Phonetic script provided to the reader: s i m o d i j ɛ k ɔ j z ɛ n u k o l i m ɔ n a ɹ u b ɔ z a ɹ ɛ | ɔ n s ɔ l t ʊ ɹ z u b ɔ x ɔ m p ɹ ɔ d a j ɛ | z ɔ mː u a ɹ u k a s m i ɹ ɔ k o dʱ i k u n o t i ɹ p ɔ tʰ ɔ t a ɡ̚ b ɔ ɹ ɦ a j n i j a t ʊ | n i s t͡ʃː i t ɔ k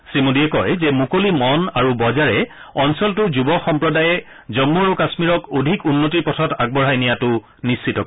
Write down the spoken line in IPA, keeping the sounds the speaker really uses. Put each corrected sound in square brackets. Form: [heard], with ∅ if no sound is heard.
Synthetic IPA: s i m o d i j ɛ k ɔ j z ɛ [m] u k o l i m ɔ n a ɹ u b ɔ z a ɹ ɛ | ɔ n s ɔ l t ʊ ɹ z u b ɔ x ɔ m p ɹ ɔ d a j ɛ | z ɔ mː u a ɹ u k a s m i ɹ ɔ k o dʱ i k u [nː] o t i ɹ p ɔ tʰ ɔ t a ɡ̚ b ɔ ɹ ɦ a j n i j a t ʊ | n i s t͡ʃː i t ɔ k